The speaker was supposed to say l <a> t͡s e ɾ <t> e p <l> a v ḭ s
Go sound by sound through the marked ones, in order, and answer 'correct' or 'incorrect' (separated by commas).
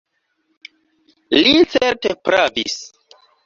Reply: incorrect, correct, incorrect